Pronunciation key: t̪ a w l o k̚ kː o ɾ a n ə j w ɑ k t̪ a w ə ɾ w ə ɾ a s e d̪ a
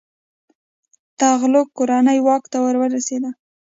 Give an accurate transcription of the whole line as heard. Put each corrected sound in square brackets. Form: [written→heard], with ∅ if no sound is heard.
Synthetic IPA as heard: t̪ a [w→ɣ] l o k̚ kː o ɾ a n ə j w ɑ k t̪ a w ə ɾ w ə ɾ a s e d̪ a